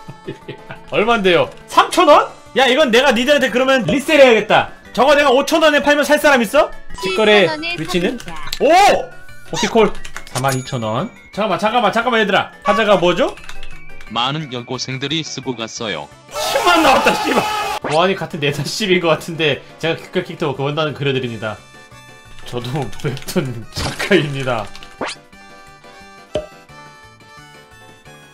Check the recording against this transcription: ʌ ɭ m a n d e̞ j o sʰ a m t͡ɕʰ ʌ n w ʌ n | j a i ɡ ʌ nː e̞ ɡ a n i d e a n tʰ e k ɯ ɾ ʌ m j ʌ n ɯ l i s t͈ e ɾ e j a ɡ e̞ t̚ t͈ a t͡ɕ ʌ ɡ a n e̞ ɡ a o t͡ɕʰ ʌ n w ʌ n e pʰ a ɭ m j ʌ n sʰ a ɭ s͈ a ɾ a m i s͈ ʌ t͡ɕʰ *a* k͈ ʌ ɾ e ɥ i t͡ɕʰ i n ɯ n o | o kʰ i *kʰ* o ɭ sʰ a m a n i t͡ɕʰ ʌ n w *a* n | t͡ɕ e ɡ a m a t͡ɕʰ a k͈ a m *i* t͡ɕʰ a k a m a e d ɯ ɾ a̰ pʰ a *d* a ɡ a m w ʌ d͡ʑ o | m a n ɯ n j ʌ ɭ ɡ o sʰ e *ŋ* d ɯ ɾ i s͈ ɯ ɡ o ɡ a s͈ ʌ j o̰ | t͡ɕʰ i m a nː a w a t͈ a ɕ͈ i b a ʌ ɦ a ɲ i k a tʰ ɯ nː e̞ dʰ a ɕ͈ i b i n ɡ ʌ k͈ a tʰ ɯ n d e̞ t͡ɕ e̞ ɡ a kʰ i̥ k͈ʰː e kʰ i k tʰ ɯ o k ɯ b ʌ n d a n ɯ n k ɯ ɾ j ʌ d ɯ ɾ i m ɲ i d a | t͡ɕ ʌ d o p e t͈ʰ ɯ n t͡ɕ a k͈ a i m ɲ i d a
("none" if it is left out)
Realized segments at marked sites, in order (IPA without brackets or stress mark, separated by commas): i, kʰ, ʌ, a, d͡ʑ, ŋ